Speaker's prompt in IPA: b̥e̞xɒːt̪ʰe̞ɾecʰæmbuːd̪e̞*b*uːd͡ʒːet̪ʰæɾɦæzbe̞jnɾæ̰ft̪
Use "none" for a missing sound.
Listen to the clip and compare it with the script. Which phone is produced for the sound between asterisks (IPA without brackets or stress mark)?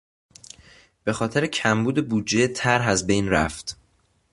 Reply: b